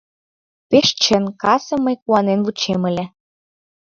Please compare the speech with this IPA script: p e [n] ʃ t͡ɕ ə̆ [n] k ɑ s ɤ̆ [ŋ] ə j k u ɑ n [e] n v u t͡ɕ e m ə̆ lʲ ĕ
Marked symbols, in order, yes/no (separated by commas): no, yes, no, yes